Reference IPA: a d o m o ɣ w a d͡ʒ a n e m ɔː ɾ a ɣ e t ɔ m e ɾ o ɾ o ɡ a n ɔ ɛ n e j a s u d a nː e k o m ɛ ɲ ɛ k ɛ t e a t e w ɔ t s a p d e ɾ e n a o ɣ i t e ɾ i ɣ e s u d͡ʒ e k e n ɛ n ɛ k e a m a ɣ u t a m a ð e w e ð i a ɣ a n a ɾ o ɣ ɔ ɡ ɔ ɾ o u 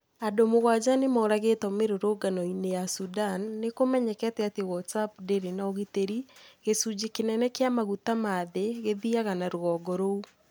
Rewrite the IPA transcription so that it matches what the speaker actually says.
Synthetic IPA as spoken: a d o m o ɣ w a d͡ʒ a n e m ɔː ɾ a ɣ e t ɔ m e ɾ o ɾ o ɡ a n ɔ i n e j a s u d a nː e k o m ɛ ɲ ɛ k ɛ t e a t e w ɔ t s a p d e ɾ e n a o ɣ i t e ɾ i ɣ e s u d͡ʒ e k e n ɛ n ɛ k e a m a ɣ u t a m a ð e ɣ e ð i a ɣ a n a ɾ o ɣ ɔ ɡ ɔ ɾ o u